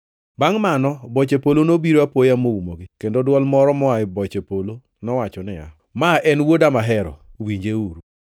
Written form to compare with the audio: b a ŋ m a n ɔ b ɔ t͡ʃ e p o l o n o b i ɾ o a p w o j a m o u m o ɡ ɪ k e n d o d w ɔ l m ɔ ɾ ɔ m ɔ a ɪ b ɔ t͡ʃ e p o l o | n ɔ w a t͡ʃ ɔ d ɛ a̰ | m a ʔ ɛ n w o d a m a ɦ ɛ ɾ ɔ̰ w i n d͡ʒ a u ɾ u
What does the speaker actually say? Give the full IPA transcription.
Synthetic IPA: b a ŋ m a n ɔ b ɔ t͡ʃ e p o l o n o b i ɾ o a p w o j a m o u m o ɡ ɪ k e n d o d w ɔ l m ɔ ɾ ɔ m ɔ a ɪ b ɔ t͡ʃ e p o l o | n ɔ w a t͡ʃ ɔ n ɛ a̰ | m a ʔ ɛ n w o d a m a ɦ ɛ ɾ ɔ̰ w i ɲ d͡ʒ e u ɾ u